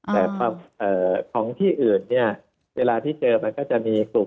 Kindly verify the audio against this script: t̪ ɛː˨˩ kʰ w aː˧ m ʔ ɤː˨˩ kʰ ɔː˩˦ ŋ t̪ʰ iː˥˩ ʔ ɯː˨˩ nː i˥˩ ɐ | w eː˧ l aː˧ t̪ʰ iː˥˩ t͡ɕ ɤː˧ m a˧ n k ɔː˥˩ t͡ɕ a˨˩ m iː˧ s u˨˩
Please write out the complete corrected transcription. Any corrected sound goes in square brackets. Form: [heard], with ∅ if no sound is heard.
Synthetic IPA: t̪ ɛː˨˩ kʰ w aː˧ m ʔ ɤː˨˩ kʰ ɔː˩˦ ŋ t̪ʰ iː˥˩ ʔ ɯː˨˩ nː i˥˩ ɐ | w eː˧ l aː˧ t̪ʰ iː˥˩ t͡ɕ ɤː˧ m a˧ n k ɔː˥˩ t͡ɕ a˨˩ m iː˧ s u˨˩